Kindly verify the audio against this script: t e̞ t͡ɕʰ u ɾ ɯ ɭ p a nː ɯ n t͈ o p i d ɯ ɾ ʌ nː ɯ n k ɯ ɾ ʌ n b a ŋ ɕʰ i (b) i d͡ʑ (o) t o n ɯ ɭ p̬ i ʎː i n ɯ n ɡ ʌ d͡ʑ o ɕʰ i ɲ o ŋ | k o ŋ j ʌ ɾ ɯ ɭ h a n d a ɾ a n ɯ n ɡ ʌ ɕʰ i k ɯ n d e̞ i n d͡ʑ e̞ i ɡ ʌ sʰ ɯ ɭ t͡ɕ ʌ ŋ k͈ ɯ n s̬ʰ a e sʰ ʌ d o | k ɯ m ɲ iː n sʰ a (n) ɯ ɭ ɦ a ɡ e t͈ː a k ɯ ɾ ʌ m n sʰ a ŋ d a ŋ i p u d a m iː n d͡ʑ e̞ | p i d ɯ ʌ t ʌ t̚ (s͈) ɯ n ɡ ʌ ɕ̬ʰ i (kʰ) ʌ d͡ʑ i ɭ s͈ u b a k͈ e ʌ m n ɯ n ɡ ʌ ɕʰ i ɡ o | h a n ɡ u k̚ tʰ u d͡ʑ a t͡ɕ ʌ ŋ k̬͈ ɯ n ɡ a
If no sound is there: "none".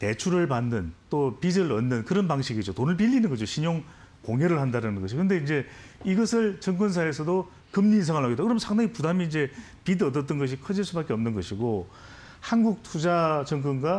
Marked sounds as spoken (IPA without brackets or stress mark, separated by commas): ɡ, o, ŋ, t͈, kʰ